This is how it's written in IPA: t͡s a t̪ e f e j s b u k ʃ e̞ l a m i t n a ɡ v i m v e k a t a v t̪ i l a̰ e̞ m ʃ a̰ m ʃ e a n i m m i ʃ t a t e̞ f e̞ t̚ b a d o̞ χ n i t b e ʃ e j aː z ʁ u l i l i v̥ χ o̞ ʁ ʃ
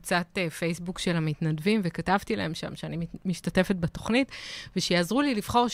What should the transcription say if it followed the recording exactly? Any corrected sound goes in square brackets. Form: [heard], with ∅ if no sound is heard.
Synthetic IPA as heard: t͡s a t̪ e f e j s b u k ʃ e̞ l a m i t n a [d] v i m v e k a t a v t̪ i l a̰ e̞ m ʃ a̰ m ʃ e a n i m m i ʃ t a t e̞ f e̞ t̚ b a [t] o̞ χ n i t [v] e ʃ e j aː z ʁ u l i l i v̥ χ o̞ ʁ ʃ